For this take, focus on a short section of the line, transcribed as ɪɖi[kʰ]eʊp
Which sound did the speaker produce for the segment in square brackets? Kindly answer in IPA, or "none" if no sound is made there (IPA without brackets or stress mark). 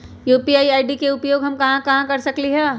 k